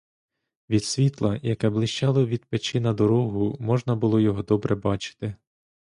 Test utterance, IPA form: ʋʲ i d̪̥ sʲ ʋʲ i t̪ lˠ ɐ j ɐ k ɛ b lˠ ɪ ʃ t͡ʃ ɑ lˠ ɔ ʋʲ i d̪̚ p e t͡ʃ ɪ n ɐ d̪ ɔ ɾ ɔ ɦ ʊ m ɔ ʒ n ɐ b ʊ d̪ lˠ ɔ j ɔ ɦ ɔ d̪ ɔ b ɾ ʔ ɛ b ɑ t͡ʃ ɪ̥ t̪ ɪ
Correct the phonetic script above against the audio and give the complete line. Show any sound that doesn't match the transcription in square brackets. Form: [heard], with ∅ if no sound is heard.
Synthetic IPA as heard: ʋʲ i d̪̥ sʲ ʋʲ i t̪ lˠ ɐ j ɐ k ɛ b lˠ ɪ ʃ t͡ʃ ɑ lˠ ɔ ʋʲ i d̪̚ p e t͡ʃ ɪ n ɐ d̪ ɔ ɾ ɔ ɦ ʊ m ɔ ʒ n ɐ b ʊ [∅] lˠ ɔ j ɔ ɦ ɔ d̪ ɔ b ɾ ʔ ɛ b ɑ t͡ʃ ɪ̥ t̪ ɪ